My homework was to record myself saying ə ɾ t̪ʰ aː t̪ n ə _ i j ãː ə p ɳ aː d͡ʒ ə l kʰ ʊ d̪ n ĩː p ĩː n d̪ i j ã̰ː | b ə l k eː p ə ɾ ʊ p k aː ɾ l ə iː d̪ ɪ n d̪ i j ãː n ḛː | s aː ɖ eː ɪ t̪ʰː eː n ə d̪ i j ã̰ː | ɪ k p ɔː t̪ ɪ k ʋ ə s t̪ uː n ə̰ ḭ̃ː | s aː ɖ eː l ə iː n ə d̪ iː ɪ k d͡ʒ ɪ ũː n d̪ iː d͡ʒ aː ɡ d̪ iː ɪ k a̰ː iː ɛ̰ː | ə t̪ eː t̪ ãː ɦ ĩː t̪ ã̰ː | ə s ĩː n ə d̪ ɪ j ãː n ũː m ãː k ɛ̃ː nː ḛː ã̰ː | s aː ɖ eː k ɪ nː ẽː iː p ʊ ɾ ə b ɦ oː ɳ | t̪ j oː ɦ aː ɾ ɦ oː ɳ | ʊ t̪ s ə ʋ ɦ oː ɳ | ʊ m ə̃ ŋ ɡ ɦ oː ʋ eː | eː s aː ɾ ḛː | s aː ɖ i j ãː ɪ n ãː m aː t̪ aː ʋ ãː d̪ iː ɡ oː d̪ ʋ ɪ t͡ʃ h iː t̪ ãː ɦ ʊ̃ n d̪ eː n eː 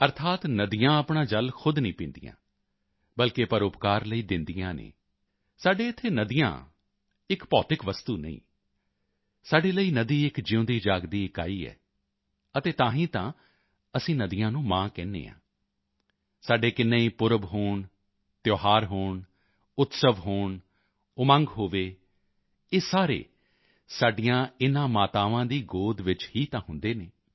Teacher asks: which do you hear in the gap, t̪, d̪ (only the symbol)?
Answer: d̪